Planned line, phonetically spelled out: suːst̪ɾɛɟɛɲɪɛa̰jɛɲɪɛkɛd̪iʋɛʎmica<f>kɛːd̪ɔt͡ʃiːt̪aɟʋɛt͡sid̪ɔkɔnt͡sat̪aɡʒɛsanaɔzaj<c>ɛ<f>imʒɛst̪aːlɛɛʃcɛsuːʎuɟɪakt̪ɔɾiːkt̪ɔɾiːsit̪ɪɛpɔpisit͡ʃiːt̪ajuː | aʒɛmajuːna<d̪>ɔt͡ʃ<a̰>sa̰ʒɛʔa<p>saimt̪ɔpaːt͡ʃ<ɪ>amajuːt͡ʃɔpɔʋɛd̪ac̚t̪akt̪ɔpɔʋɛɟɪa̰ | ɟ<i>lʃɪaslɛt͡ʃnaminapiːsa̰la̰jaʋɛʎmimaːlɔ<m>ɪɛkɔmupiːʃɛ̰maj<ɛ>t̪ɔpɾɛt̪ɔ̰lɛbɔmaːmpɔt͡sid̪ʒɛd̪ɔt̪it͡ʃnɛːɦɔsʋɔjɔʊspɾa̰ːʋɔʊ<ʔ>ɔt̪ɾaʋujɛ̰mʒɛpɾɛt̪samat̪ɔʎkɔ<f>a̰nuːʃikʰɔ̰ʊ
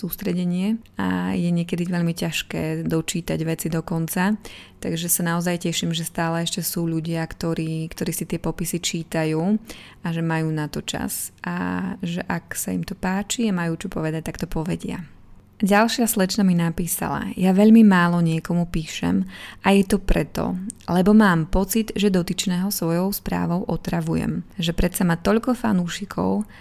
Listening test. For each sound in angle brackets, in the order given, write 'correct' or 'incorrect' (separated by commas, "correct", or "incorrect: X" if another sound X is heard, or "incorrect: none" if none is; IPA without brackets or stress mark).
incorrect: ʃ, correct, incorrect: ʃ, incorrect: t̪, correct, incorrect: k, incorrect: i, incorrect: a, incorrect: ɲ, correct, correct, correct